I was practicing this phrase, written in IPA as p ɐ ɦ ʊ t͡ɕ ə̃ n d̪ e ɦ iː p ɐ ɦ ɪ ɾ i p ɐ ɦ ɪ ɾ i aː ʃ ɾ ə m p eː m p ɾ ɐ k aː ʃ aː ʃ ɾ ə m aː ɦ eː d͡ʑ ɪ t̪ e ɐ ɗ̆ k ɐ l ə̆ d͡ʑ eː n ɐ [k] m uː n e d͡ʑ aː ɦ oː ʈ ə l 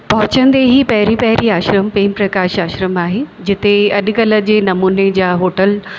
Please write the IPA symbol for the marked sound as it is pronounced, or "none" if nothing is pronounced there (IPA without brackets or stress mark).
none